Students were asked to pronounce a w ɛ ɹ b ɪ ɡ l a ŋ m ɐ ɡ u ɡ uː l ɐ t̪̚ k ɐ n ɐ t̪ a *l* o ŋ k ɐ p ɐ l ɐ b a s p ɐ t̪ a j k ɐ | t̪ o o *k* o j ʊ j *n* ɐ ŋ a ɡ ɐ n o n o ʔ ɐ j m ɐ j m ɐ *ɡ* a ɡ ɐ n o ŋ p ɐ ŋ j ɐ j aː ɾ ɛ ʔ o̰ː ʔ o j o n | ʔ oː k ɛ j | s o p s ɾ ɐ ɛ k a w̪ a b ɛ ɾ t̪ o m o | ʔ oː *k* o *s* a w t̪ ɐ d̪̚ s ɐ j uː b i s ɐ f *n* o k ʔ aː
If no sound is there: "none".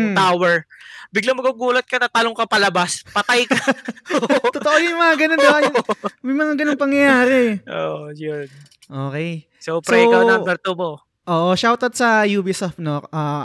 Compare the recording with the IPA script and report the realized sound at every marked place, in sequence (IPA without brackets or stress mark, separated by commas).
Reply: l, ʔ, m, ŋ, ʔ, ʃ, n